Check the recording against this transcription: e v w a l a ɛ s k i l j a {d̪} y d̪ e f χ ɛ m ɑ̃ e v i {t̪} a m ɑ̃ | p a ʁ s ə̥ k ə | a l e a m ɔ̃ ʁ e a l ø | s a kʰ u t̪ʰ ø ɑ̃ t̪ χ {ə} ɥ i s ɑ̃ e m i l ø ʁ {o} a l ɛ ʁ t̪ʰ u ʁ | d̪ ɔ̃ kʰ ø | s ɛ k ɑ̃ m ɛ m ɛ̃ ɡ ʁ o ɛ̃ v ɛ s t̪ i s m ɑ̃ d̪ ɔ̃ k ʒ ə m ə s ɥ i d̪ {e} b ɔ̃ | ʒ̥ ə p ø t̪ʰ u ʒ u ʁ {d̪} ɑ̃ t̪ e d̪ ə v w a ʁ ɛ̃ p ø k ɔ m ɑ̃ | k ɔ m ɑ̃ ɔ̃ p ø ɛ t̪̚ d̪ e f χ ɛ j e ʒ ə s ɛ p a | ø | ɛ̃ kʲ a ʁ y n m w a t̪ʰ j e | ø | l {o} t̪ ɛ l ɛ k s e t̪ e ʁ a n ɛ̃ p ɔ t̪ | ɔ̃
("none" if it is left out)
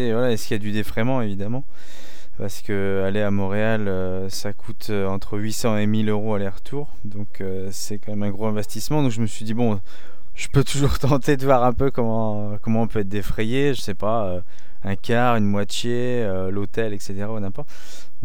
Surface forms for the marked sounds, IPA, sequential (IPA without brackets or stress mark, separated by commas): d̪, d̪, ə, o, i, t̪, o